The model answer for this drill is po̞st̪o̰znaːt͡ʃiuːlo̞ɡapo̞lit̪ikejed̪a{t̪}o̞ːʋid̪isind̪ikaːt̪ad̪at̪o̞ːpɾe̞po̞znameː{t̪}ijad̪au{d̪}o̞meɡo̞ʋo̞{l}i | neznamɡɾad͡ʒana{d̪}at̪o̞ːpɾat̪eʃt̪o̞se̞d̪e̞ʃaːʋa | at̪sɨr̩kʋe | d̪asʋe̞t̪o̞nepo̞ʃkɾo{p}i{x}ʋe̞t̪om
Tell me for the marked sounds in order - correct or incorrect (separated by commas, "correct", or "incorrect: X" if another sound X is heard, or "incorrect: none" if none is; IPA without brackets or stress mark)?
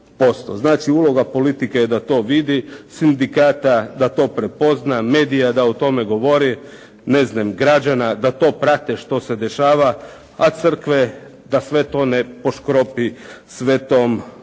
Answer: correct, incorrect: d̪, incorrect: t̪, incorrect: ɾ, correct, correct, incorrect: s